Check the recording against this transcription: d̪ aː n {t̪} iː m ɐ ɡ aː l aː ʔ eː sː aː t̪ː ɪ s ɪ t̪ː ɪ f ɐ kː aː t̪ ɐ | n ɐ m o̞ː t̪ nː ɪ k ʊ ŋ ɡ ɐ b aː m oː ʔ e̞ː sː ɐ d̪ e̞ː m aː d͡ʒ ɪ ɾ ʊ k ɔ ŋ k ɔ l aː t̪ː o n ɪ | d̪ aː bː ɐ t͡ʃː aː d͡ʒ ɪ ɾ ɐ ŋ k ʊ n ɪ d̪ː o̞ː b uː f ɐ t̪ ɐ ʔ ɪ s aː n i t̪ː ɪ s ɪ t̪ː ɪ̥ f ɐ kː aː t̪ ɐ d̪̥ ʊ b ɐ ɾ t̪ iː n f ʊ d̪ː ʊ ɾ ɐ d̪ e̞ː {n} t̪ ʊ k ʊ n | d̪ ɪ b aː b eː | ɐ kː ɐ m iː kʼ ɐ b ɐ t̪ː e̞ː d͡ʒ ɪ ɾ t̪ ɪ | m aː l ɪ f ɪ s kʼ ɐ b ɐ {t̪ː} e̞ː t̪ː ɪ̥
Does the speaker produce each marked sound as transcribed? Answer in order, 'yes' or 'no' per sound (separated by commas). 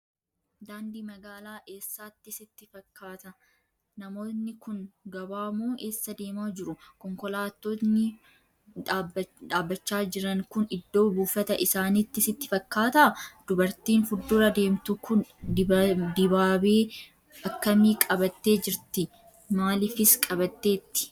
no, no, yes